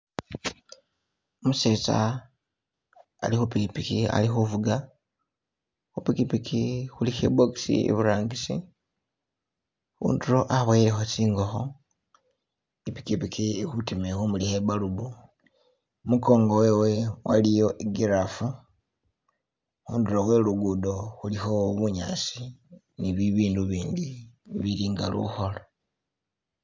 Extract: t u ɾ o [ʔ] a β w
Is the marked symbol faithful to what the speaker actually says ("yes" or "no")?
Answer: yes